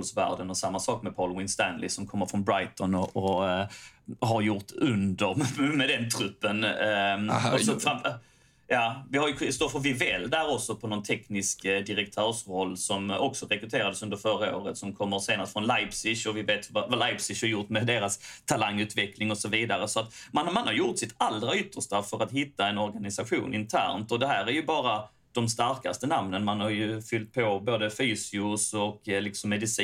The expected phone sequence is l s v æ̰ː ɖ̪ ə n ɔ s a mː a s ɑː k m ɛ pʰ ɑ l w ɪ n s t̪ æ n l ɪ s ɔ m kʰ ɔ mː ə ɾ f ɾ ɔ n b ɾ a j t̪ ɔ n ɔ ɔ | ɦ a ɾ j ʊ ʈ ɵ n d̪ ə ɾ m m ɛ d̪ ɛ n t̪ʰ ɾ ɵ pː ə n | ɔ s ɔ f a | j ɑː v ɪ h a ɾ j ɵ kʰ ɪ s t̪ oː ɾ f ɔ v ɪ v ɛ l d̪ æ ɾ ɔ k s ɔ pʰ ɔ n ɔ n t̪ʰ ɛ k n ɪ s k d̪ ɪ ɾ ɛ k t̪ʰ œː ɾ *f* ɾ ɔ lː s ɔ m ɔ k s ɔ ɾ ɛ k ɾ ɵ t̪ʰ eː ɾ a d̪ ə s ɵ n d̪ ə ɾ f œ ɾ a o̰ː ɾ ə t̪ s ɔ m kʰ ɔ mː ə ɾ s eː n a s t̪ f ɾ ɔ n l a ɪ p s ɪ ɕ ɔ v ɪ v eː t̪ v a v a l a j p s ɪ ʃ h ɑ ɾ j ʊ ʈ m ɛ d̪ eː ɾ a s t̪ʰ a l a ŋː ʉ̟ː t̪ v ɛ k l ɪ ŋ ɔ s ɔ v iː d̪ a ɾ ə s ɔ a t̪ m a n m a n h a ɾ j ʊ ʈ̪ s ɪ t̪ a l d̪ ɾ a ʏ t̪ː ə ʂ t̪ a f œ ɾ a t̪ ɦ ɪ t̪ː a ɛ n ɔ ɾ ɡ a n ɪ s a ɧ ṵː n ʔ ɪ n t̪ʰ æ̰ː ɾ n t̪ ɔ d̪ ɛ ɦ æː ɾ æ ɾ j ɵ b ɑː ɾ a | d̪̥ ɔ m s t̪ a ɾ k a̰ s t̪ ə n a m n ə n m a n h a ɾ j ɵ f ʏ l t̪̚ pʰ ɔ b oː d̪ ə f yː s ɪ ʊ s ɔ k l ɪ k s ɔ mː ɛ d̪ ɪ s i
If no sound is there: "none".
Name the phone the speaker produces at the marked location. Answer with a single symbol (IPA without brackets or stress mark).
ʂ